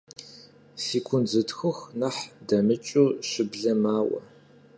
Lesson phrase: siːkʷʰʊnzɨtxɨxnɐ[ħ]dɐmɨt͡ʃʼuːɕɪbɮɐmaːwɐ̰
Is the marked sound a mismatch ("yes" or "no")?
no